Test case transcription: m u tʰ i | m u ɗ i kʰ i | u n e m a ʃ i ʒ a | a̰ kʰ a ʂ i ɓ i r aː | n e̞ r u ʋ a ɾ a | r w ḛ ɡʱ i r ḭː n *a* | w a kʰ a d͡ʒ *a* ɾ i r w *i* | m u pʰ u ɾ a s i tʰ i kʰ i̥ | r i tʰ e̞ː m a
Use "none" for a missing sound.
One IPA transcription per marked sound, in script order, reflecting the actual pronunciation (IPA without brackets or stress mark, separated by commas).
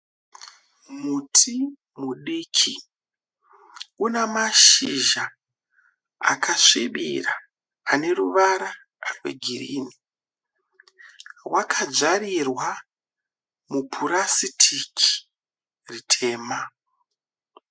i, a, a